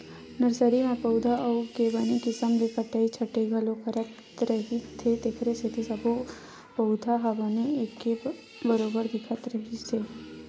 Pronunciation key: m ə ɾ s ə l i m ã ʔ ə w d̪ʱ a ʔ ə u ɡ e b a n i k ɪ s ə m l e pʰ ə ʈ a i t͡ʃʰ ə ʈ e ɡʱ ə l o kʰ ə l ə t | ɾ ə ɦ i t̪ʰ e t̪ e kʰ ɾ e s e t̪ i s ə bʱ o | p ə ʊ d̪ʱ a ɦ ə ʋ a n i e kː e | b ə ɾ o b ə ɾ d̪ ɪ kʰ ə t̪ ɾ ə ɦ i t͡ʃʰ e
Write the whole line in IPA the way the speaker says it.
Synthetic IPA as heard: n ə ɾ s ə ɾ i m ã p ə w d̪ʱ a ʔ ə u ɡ e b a n i k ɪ s ə m l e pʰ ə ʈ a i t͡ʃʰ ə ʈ e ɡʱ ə l o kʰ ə ɾ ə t | ɾ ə ɦ i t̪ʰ e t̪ e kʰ ɾ e s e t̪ i s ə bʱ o | p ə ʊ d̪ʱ a ɦ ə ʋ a n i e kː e | b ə ɾ o b ə ɾ d̪ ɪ kʰ ə t̪ ɾ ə ɦ i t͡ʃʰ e